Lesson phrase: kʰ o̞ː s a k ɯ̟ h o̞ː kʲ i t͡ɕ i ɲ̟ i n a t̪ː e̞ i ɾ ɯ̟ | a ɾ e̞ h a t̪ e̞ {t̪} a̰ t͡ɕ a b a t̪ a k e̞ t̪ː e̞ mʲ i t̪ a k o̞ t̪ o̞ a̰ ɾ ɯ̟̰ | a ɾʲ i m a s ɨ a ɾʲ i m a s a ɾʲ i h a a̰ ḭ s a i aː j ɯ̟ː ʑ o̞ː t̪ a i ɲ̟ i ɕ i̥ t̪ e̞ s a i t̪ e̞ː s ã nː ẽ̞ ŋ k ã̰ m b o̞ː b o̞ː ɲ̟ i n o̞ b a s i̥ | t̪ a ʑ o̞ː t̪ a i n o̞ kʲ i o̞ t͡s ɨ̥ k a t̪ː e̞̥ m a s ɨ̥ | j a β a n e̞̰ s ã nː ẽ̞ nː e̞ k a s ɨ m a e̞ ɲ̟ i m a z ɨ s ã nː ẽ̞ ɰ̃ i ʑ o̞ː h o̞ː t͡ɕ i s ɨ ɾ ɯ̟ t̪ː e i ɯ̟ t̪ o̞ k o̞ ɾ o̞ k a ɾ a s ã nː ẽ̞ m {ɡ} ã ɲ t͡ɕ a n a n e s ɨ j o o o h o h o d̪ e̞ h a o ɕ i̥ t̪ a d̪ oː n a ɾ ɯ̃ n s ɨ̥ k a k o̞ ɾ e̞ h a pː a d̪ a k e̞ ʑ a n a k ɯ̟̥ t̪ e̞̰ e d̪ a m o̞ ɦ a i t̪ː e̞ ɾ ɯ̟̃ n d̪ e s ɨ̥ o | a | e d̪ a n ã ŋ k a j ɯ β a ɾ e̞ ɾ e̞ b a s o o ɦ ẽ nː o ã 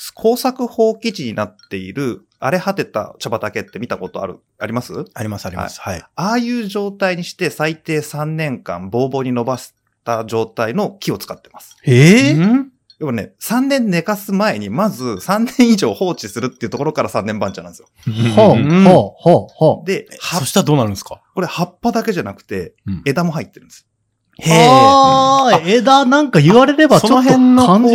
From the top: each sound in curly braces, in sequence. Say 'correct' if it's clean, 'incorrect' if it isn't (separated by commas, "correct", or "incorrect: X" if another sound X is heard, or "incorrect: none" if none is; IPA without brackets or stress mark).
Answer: correct, incorrect: b